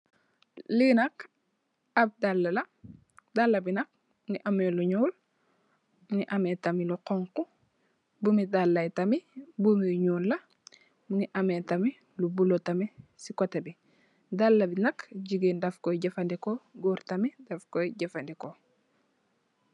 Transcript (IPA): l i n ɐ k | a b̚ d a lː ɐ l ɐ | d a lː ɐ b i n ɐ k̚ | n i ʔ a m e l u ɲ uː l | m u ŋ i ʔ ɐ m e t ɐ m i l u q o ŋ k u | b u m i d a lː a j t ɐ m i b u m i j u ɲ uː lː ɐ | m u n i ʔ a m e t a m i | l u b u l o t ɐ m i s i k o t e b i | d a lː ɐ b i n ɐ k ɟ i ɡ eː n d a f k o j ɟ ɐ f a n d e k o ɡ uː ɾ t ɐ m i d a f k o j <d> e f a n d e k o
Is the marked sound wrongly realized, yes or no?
yes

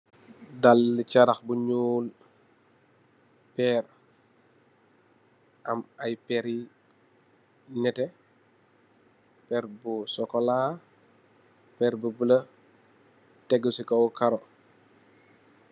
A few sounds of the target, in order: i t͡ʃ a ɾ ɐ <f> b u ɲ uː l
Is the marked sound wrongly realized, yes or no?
yes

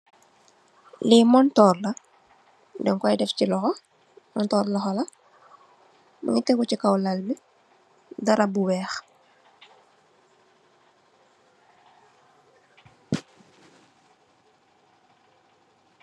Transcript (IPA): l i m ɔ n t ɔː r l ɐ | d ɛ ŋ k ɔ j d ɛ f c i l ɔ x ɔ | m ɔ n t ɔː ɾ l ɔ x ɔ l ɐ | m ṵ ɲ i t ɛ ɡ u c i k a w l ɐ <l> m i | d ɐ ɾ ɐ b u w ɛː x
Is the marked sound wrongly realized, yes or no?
no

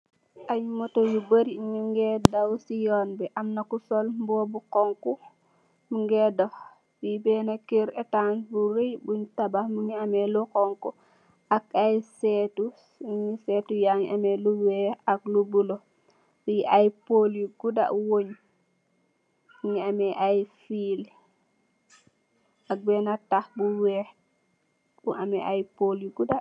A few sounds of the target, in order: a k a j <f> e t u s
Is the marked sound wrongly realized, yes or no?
yes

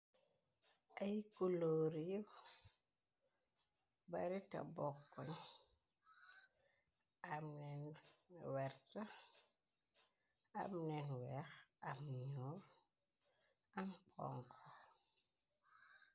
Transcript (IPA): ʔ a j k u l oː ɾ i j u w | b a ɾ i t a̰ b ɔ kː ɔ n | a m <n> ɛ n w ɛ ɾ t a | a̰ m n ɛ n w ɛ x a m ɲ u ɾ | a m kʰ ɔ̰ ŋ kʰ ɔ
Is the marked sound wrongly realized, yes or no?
no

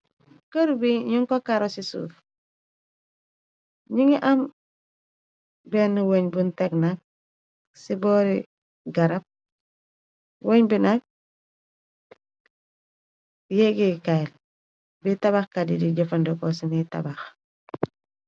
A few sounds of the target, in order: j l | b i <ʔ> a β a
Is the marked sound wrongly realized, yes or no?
yes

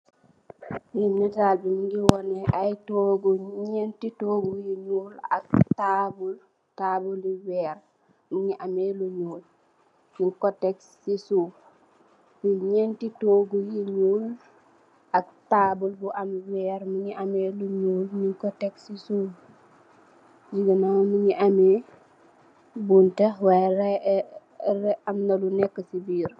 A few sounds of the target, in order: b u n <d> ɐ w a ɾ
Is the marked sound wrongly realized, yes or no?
yes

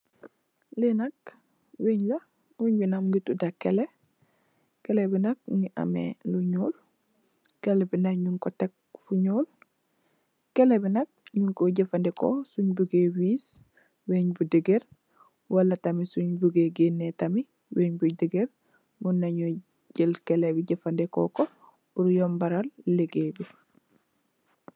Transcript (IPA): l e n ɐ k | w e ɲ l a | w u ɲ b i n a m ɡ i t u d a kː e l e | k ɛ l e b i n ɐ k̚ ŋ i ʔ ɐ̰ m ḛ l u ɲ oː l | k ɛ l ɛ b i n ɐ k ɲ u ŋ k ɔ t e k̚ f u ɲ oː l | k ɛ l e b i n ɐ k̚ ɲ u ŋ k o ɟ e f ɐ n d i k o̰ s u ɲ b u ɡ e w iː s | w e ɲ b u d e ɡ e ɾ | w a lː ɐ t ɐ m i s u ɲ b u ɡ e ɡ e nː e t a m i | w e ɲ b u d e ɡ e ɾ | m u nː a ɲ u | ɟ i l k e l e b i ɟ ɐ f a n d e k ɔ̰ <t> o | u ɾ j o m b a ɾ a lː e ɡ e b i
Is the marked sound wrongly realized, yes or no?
yes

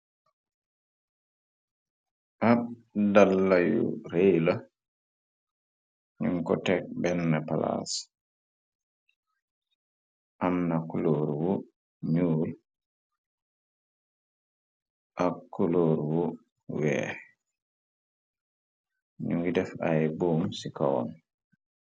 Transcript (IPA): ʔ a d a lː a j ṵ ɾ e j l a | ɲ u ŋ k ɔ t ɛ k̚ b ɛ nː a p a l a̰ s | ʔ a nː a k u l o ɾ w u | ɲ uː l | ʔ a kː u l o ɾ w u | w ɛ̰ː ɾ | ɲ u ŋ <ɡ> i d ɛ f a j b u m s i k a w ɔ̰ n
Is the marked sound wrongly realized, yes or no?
no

